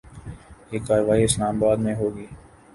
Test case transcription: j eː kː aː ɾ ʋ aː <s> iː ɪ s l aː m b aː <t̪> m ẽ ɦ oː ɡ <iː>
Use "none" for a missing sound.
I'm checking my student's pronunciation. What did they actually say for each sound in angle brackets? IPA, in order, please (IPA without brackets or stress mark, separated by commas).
none, d̪, iː